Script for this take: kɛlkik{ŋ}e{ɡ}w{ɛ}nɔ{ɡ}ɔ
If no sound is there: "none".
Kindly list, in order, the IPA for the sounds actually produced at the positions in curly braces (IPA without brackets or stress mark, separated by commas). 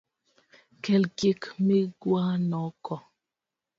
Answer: m, ɡ, a, k